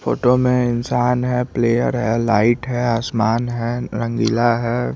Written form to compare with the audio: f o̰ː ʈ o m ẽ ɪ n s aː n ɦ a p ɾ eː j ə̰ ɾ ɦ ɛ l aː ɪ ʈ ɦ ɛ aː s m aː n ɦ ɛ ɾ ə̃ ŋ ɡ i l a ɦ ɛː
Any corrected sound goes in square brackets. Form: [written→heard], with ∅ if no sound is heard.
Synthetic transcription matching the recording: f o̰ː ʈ o m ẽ ɪ n s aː n ɦ [a→ɛ] p [ɾ→l] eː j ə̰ ɾ ɦ ɛ l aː ɪ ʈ ɦ ɛ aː s m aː n ɦ ɛ ɾ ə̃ ŋ ɡ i l a ɦ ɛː